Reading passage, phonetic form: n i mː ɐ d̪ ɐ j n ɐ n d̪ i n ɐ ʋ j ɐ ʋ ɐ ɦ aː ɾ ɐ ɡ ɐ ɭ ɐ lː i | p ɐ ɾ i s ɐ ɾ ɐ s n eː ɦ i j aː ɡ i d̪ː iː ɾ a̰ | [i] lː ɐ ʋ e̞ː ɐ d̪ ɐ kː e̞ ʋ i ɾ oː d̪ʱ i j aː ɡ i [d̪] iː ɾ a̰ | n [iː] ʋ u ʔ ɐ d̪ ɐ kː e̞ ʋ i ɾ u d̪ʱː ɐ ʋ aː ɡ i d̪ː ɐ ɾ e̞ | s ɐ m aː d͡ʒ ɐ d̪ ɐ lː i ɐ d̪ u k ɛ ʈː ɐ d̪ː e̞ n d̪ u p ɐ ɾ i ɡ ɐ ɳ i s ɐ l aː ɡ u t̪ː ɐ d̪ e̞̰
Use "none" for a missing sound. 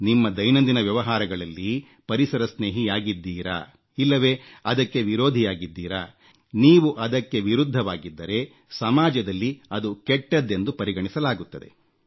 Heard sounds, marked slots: i, d̪ː, iː

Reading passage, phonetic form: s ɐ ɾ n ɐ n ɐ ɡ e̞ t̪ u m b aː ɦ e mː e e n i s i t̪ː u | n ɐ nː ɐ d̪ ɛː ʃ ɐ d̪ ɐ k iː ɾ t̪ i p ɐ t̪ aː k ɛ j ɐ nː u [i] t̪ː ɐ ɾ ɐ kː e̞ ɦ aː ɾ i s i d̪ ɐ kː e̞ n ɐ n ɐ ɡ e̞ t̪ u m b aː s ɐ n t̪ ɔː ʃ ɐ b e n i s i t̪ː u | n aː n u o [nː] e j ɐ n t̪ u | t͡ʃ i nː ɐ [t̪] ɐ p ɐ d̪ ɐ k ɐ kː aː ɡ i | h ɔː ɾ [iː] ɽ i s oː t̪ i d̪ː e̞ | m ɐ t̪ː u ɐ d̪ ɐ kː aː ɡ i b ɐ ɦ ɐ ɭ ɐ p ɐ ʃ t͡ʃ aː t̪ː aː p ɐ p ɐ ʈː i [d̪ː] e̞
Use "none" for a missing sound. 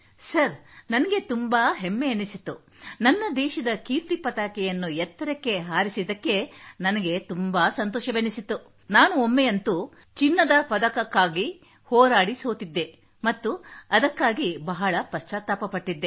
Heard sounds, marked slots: ɛ, mː, d̪, aː, d̪ː

